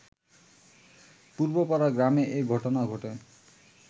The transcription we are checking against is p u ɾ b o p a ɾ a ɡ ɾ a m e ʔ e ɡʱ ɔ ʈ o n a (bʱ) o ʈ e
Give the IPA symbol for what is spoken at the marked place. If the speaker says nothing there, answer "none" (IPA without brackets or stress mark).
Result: ɡʱ